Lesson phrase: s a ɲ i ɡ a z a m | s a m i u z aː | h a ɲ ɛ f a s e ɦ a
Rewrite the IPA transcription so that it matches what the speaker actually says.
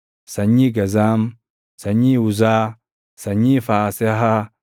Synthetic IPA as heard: s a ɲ i ɡ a z a m | s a ɲ i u z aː | s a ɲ i f a s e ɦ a